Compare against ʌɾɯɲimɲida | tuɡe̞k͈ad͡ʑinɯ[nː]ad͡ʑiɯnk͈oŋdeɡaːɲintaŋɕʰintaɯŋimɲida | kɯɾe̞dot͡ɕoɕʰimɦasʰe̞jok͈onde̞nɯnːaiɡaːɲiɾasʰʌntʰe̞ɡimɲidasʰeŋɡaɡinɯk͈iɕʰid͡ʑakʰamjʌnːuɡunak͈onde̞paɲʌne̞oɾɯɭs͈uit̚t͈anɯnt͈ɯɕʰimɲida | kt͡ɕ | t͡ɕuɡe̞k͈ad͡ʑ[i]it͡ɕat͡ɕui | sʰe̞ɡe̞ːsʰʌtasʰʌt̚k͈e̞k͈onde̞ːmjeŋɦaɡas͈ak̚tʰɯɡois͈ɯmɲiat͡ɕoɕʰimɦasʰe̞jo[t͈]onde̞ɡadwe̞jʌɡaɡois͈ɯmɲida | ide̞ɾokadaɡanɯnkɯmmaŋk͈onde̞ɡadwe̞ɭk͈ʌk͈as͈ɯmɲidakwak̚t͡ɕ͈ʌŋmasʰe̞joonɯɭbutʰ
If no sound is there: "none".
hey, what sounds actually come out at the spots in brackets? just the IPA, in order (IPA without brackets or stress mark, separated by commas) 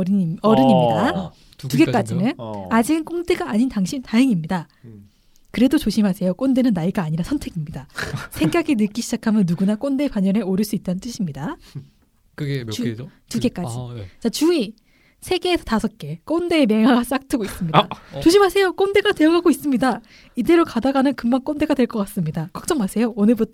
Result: n, i, k͈